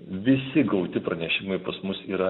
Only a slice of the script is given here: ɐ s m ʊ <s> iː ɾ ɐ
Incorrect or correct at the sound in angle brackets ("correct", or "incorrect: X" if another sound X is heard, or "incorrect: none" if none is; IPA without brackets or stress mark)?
correct